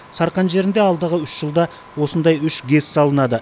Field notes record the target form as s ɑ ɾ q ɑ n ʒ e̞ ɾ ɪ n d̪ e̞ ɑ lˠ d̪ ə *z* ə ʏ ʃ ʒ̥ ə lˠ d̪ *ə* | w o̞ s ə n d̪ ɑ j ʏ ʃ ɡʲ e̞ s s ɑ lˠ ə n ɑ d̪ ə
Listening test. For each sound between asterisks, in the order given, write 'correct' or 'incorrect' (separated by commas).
incorrect, incorrect